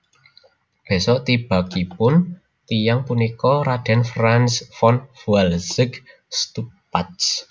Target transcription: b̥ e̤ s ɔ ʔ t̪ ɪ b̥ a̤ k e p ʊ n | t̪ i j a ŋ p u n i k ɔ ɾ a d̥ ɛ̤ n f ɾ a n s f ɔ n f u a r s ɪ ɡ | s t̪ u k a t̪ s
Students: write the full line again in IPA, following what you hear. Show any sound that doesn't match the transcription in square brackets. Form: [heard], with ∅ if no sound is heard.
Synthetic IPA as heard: b̥ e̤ s ɔ ʔ t̪ [i] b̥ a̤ k [i] p ʊ n | t̪ i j a ŋ p u n i k ɔ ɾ a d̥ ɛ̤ n f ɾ a n s f ɔ n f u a [l] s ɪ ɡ | s t̪ u [p] a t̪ s